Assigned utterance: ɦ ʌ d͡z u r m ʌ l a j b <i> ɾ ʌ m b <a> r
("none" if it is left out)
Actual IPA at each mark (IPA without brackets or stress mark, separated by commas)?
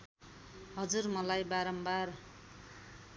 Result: a, a